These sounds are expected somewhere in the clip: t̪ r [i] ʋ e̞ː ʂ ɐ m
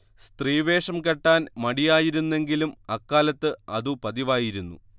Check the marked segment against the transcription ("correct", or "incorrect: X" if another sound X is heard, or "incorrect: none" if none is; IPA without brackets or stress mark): incorrect: iː